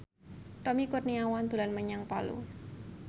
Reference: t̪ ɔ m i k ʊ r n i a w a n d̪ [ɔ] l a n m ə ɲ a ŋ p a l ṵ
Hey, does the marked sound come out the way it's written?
no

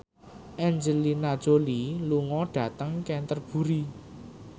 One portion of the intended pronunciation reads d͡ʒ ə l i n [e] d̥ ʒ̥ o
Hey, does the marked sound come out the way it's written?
no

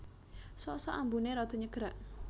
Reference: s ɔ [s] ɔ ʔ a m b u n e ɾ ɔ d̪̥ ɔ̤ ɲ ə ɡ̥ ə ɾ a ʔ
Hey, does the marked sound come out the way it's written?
yes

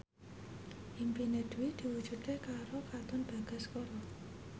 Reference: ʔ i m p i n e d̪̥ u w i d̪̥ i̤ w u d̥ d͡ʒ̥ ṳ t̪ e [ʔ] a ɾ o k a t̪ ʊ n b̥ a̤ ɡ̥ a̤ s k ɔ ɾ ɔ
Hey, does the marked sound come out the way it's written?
no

